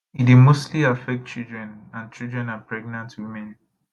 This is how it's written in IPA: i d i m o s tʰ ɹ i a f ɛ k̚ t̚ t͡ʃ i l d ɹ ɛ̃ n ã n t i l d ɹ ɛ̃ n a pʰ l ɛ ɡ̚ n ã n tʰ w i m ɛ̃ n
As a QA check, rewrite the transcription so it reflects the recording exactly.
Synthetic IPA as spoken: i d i m o s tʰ l i a f ɛ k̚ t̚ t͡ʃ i l d ɹ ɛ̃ n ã n t͡ʃ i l d ɹ ɛ̃ n a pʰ ɹ ɛ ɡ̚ n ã n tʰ w i m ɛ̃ n

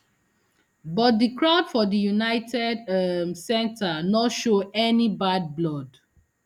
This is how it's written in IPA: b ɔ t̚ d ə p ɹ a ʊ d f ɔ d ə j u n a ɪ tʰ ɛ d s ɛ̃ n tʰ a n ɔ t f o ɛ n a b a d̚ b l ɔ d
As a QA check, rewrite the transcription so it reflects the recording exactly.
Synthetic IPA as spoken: b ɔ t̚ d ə k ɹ a ʊ d f ɔ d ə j u n a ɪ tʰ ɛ d s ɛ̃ n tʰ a n ɔ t ʃ o ɛ n i b a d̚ b l ɔ d

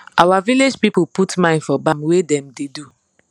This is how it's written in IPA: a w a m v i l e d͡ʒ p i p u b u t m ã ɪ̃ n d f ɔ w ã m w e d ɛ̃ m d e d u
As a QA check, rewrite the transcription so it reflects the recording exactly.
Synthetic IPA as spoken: a w a v i l e d͡ʒ p i p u p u t m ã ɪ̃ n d f ɔ b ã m w e d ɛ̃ m d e d u

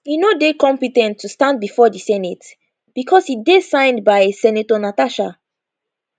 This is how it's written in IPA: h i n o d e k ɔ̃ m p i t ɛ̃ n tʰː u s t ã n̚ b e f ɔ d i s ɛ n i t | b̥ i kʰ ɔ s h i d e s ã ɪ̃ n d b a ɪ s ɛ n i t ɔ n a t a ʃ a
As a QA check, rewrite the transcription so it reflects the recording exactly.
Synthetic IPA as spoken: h i n o d e k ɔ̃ m p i t ɛ̃ n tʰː u s t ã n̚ b i f ɔ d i s ɛ n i t | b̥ i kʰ ɔ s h i d e s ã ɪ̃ n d b a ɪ s ɛ n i t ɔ n a t a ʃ a

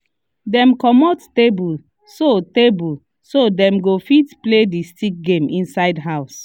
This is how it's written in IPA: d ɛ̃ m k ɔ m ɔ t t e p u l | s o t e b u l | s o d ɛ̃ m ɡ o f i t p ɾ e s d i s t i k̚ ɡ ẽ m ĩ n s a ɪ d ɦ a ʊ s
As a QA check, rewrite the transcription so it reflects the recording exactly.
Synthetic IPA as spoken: d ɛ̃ m k ɔ m ɔ t t e b u l | s o t e b u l | s o d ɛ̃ m ɡ o f i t p l e d i s t i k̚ ɡ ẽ m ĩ n s a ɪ d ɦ a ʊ s

